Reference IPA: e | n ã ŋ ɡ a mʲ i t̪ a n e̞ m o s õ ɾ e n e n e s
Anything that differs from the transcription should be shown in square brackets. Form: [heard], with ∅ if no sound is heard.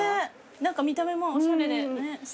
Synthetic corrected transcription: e | n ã ŋ [k] a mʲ i t̪ a [m] e̞ m o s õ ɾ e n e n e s